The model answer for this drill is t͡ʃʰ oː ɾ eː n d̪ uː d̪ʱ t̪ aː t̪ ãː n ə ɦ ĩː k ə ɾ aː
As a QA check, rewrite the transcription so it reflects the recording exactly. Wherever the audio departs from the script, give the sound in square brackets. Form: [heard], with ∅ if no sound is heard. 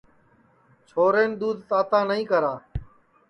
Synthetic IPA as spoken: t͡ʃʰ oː ɾ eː n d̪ uː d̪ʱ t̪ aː t̪ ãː n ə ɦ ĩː k ə ɾ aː